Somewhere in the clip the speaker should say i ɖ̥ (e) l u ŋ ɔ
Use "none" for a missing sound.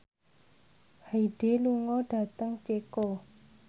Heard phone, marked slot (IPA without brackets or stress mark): e